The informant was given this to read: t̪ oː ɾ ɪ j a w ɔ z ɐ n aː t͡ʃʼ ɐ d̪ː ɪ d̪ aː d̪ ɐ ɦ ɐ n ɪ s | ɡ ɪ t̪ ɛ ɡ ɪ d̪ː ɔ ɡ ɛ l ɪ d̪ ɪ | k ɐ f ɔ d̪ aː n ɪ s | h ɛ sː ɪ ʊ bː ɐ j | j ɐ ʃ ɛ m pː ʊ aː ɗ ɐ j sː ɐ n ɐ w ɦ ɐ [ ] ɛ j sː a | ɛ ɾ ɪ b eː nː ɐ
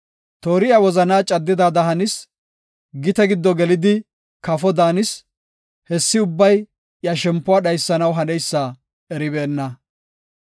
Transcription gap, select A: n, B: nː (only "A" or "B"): A